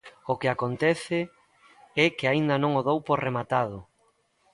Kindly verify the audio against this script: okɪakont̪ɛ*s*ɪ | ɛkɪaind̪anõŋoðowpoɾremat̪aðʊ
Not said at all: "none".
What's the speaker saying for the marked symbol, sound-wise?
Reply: θ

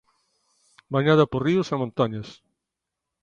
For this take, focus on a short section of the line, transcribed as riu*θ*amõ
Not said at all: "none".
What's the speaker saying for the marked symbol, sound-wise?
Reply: s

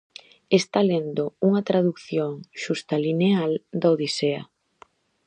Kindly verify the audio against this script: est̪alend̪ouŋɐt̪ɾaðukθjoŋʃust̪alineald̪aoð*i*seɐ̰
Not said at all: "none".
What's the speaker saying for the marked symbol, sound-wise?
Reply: i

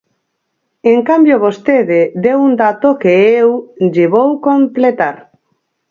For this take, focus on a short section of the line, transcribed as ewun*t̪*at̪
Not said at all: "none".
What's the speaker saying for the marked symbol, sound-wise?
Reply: d̪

